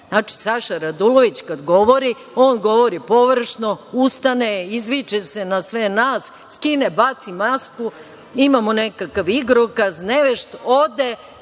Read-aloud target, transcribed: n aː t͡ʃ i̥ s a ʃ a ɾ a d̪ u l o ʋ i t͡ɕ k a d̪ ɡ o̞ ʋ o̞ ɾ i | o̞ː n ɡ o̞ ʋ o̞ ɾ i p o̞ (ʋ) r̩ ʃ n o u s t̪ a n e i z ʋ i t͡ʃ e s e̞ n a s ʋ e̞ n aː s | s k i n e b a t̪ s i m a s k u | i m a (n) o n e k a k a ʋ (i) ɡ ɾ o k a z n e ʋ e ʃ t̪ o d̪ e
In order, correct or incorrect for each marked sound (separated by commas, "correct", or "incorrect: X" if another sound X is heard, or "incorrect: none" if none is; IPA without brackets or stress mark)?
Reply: correct, incorrect: m, correct